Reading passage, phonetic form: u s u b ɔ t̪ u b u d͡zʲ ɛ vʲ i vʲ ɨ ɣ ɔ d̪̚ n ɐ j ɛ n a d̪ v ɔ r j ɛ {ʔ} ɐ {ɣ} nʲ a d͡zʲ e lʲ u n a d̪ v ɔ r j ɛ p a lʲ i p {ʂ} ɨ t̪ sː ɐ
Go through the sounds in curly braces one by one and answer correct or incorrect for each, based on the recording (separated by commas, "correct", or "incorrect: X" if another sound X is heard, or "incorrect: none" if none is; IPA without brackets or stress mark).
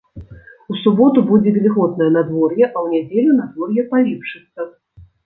correct, incorrect: w, correct